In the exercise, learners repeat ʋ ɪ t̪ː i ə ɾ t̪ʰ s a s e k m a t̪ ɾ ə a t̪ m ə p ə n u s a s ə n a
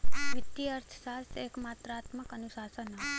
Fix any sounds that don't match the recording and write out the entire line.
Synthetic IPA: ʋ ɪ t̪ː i ə ɾ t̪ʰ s a s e k m a t̪ ɾ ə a t̪ m ə k ə n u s a s ə n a

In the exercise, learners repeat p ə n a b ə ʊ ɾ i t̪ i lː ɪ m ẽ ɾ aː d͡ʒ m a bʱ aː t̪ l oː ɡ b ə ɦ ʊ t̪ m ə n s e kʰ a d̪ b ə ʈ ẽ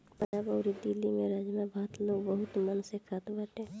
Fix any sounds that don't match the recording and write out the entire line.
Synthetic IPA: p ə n a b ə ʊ ɾ i d̪ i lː i m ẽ ɾ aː d͡ʒ m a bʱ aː t̪ l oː ɡ b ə ɦ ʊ t̪ m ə n s e kʰ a t̪ b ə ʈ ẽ

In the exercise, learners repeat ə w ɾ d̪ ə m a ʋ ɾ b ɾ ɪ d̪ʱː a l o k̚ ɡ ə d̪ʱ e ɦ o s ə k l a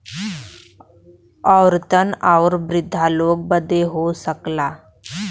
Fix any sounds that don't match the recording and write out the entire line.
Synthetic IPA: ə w ɾ t̪ ə n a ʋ ɾ b ɾ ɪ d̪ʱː a l o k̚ b ə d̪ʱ e ɦ o s ə k l a

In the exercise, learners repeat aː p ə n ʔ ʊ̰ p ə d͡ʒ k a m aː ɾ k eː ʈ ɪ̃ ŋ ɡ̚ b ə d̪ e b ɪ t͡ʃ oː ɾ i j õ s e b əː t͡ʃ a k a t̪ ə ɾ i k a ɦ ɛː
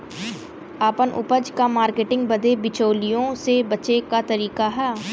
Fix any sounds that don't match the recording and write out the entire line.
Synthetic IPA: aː p ə n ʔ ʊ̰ p ə d͡ʒ k a m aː ɾ k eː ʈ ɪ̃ ŋ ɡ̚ b ə d̪ e b ɪ t͡ʃ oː l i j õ s e b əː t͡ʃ e k a t̪ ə ɾ iː k a ɦ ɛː

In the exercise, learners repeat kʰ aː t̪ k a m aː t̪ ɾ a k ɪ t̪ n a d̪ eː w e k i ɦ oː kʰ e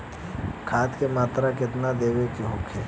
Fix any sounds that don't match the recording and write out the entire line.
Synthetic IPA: kʰ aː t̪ k e m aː t̪ ɾ a k ɪ t̪ n a d̪ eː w e k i ɦ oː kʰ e

